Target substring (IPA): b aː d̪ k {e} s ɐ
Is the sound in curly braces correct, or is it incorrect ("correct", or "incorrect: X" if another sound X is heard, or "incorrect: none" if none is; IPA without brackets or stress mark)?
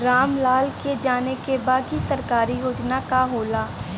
incorrect: i